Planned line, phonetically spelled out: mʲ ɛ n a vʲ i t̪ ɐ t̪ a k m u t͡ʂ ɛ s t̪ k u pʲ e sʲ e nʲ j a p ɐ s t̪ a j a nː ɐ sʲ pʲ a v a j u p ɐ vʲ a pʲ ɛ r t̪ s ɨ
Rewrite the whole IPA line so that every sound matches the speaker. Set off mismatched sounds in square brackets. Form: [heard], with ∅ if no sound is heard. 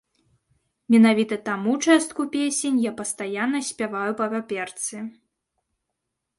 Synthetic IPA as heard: mʲ ɛ n a vʲ i t̪ ɐ t̪ a [∅] m u t͡ʂ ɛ s t̪ k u pʲ e sʲ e nʲ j a p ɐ s t̪ a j a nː ɐ sʲ pʲ a v a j u p ɐ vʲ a pʲ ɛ r t̪ s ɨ